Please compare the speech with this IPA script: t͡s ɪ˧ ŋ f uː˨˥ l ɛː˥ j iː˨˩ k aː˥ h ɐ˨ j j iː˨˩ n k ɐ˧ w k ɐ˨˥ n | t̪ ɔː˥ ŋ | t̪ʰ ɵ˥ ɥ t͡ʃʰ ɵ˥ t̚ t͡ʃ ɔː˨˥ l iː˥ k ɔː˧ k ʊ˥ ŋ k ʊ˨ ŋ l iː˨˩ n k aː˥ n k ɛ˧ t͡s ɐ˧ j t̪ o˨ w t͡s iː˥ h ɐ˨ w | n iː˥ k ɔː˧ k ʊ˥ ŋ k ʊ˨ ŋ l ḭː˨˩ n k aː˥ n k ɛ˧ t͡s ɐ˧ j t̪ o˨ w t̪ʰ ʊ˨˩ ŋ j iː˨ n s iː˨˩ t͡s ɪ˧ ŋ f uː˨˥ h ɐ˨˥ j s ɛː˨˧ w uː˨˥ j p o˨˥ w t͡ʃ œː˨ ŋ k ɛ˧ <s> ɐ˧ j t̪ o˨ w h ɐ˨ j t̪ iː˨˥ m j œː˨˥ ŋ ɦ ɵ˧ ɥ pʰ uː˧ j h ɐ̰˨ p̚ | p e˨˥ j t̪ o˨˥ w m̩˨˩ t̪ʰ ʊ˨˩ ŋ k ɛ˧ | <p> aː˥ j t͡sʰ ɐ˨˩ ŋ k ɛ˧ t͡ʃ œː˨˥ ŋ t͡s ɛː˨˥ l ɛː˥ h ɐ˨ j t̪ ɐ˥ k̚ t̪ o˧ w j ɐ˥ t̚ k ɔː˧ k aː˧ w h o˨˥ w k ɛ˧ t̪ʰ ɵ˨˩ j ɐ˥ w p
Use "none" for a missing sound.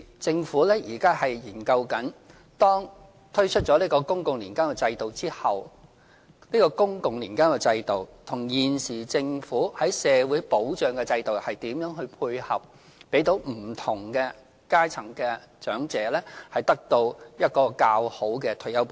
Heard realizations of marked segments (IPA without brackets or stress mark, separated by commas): t͡s, k